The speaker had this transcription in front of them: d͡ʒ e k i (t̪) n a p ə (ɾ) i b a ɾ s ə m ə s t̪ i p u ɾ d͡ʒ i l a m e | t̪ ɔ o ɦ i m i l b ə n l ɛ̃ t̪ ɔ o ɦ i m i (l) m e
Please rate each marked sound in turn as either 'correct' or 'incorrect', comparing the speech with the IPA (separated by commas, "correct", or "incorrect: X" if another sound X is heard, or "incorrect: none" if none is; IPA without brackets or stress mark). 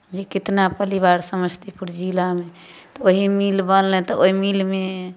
correct, incorrect: l, correct